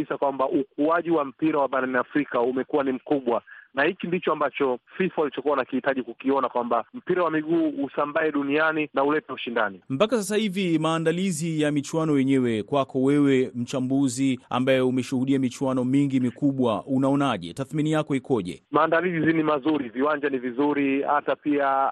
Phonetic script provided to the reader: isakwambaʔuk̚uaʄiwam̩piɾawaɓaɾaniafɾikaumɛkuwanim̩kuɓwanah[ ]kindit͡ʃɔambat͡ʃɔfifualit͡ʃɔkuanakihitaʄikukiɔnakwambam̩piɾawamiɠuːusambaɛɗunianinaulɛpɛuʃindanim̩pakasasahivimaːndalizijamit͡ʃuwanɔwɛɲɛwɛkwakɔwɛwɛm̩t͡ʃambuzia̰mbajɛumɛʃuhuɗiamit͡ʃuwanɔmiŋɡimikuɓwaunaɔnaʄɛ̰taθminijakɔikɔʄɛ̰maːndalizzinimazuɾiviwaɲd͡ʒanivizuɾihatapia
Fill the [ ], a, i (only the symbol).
i